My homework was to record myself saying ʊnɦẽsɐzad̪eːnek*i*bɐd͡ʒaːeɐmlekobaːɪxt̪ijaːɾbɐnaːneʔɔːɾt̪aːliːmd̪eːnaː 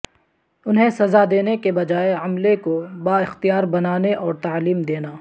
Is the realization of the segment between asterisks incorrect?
yes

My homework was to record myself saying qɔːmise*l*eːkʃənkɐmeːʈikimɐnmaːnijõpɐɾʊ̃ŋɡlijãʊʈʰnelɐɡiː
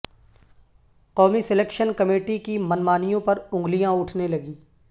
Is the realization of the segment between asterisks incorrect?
no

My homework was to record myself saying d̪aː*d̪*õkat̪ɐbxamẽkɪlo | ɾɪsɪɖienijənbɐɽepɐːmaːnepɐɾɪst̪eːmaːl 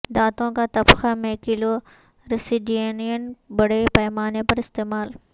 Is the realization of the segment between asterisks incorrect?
yes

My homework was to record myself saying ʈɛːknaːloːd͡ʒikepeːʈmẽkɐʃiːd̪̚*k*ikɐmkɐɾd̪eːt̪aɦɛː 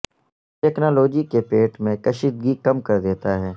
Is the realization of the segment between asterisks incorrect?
yes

